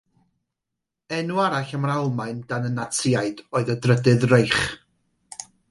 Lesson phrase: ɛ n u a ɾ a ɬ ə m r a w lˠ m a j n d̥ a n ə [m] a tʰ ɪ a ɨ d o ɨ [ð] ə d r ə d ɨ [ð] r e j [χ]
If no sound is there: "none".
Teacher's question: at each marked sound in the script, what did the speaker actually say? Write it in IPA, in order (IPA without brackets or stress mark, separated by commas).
n, ð, ð, χ